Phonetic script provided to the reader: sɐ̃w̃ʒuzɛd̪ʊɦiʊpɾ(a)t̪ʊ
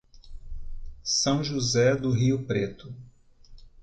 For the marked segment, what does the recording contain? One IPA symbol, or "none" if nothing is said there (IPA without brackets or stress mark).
e